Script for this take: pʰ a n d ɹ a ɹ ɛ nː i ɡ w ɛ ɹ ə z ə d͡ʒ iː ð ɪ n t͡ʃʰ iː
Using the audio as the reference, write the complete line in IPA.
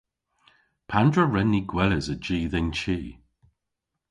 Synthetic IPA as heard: pʰ a n d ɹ ə ɹ ɛ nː i ɡ w ɛ l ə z ə d͡ʒ iː ð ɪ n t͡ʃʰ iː